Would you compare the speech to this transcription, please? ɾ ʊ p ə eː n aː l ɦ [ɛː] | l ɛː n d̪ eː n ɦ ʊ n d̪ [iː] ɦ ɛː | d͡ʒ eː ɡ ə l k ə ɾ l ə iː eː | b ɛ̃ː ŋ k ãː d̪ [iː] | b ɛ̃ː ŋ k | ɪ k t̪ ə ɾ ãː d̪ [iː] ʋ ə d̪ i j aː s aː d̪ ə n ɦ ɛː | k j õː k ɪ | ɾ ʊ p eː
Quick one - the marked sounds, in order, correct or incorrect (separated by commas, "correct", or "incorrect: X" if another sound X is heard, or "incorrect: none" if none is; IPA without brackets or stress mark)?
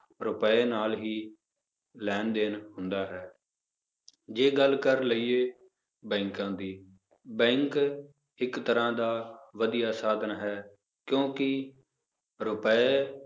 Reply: incorrect: iː, incorrect: aː, correct, incorrect: aː